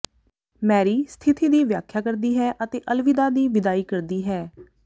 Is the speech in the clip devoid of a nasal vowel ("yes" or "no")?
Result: yes